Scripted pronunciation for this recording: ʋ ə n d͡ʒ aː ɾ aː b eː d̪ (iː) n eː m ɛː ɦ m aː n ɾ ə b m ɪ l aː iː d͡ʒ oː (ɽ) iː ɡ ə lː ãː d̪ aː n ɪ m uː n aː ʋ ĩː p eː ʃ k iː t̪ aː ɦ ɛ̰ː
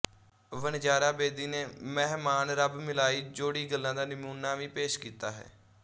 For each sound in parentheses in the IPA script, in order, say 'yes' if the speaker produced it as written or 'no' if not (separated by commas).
yes, yes